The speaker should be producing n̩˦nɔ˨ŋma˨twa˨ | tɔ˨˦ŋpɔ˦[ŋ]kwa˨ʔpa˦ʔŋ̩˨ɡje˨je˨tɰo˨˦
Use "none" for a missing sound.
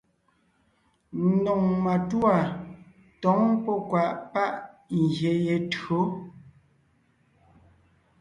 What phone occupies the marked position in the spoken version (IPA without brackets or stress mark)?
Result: none